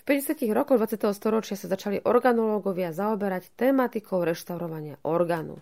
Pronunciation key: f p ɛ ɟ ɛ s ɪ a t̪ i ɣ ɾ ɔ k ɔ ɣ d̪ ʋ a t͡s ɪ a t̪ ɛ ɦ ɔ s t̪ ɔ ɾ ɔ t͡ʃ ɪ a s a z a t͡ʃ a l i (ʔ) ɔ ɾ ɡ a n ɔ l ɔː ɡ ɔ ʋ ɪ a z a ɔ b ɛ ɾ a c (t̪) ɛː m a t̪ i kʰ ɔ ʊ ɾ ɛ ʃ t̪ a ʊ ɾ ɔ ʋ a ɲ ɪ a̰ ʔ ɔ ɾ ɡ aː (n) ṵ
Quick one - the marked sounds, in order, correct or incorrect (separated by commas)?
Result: correct, correct, correct